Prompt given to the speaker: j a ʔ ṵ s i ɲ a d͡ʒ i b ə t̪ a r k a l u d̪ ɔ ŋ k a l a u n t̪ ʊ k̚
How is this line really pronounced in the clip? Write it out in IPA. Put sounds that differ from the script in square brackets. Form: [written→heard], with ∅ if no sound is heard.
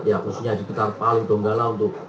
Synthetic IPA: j a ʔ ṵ s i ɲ a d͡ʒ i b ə t̪ a r [k→p] a l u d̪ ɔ ŋ [k→ɡ] a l a u n t̪ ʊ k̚